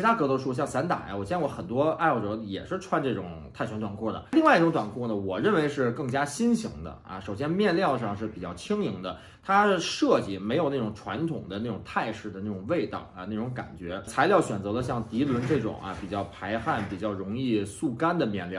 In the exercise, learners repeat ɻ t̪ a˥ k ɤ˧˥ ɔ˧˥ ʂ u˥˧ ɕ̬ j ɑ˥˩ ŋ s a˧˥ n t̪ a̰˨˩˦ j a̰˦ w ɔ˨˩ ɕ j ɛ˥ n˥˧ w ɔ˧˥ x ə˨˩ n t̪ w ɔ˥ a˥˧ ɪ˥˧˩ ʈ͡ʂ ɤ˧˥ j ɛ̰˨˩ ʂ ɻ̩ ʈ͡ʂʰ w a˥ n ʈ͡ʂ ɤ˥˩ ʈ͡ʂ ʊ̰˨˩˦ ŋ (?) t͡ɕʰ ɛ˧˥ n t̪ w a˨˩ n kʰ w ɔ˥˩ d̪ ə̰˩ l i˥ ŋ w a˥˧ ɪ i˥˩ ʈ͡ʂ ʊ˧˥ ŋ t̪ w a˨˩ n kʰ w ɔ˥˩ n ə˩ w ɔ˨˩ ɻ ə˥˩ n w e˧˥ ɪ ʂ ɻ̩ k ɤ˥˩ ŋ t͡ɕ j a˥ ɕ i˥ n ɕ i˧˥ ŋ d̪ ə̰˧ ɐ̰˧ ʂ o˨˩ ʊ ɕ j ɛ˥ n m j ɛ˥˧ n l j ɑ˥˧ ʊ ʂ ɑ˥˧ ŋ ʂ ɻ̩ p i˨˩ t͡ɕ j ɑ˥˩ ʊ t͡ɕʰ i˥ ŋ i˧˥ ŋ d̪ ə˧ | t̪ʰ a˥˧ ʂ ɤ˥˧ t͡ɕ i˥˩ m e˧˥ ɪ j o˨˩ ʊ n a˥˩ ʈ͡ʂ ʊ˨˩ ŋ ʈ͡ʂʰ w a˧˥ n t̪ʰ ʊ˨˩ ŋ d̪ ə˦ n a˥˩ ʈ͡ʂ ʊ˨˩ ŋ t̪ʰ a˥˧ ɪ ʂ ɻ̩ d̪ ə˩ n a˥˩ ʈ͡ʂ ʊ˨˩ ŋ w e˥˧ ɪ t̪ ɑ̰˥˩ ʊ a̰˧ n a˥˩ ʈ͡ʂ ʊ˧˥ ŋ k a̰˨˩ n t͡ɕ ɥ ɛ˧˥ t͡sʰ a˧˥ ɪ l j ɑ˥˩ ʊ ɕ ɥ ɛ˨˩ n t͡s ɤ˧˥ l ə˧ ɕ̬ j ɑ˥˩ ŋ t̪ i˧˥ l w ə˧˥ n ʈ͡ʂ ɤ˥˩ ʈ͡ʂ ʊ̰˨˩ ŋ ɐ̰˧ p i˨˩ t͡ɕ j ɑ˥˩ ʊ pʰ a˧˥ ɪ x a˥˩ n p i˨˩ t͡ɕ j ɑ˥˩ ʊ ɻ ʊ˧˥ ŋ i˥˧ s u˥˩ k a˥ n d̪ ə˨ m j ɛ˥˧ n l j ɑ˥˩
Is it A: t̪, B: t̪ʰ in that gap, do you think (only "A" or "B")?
B